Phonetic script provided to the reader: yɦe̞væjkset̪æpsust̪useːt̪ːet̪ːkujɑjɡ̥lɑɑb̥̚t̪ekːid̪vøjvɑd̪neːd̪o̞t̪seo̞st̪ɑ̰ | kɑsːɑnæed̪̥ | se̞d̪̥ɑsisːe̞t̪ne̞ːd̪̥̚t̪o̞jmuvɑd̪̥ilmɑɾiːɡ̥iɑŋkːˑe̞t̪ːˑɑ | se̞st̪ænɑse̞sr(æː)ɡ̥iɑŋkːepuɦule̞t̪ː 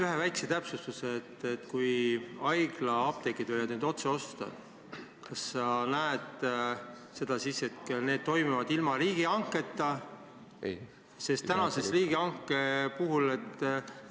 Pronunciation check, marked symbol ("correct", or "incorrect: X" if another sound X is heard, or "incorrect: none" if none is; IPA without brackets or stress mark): incorrect: iː